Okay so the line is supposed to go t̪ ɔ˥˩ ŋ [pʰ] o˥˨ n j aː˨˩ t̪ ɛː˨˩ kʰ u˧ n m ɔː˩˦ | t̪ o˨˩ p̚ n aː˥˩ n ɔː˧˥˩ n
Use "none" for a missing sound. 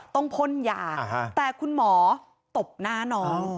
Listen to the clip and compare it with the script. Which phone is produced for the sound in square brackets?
pʰ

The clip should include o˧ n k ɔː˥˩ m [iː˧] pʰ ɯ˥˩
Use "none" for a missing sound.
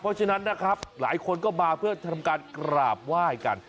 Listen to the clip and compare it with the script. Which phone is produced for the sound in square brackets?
aː˧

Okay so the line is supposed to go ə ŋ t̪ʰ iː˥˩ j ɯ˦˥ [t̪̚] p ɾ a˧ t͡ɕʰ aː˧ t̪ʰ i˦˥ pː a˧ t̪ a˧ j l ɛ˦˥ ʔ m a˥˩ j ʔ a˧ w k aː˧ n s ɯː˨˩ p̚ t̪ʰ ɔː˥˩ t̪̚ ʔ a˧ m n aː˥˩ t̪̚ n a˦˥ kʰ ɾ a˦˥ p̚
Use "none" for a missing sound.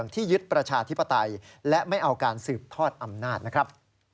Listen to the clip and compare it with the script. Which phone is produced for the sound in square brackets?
t̪̚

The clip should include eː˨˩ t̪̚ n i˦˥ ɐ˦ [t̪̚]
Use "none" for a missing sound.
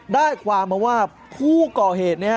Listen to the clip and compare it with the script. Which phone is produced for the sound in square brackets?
none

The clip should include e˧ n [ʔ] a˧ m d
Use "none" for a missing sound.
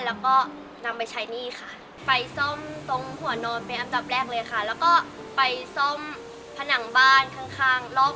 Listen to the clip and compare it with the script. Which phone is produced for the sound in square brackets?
ʔ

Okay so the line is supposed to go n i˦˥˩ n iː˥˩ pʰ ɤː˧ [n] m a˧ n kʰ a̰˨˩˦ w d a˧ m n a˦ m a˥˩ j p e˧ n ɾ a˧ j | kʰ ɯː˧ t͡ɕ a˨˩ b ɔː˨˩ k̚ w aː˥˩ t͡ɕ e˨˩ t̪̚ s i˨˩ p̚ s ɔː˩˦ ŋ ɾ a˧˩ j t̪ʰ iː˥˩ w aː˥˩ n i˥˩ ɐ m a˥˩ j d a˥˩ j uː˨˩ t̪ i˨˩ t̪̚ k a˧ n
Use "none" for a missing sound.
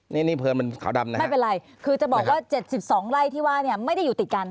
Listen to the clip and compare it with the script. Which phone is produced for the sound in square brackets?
n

